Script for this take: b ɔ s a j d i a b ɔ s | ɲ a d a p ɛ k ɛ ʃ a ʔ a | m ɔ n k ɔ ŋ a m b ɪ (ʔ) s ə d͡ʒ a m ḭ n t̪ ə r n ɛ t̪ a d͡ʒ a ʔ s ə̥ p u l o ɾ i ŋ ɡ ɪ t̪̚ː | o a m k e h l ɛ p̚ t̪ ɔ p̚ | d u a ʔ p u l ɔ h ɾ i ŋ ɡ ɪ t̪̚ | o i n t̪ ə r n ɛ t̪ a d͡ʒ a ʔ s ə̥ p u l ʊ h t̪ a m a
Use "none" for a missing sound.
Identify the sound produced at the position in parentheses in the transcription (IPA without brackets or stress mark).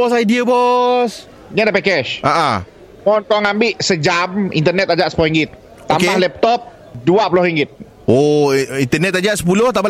ʔ